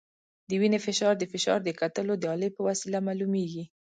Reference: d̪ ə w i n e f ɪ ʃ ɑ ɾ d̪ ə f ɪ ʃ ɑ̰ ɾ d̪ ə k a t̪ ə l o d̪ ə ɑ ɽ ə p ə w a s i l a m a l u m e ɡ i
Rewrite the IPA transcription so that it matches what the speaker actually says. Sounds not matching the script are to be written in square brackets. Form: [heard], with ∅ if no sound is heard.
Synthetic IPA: d̪ ə w i n e f ɪ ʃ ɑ ɾ d̪ ə f ɪ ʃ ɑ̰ ɾ d̪ ə k a t̪ ə l o d̪ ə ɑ [l] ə p ə w a s i l a m a l u m e ɡ i